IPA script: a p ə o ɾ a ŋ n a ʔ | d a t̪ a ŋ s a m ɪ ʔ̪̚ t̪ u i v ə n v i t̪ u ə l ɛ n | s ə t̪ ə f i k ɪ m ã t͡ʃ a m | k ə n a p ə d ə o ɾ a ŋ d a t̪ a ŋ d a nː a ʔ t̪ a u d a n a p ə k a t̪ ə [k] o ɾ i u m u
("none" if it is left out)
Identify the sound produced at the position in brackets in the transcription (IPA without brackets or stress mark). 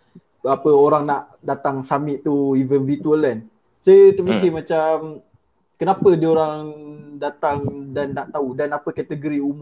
ɡ